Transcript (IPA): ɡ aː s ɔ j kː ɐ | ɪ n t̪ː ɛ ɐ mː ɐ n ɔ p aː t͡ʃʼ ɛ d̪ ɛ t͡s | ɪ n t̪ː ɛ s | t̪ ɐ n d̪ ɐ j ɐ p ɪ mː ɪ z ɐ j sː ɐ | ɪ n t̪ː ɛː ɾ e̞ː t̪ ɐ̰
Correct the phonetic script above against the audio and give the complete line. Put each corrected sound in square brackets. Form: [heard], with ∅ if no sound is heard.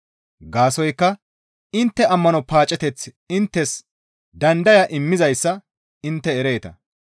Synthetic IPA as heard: ɡ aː s ɔ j kː ɐ | ɪ n t̪ː ɛ ɐ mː ɐ n ɔ p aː t͡ʃʼ ɛ [t̪] ɛ t͡s | ɪ n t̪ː ɛ s | [d̪] ɐ n d̪ ɐ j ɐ [ʔ] ɪ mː ɪ z ɐ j sː ɐ | ɪ n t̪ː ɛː ɾ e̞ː t̪ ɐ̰